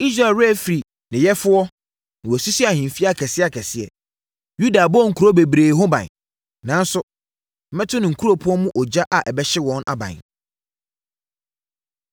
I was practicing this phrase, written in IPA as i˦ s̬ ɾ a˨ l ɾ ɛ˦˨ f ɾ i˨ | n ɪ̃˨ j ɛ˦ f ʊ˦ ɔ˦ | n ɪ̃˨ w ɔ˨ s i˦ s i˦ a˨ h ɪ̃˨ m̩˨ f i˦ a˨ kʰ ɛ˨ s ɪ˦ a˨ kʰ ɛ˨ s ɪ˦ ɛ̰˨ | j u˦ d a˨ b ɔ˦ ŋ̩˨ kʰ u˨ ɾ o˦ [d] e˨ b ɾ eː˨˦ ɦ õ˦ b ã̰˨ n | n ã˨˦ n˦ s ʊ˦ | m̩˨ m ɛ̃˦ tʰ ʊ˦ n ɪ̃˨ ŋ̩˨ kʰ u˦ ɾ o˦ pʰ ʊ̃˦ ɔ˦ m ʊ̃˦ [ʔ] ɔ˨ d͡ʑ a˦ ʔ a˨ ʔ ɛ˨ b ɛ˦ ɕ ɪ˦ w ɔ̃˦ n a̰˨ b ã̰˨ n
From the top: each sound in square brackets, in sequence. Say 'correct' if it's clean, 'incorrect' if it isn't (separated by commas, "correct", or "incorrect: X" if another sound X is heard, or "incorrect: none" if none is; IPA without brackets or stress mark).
incorrect: b, correct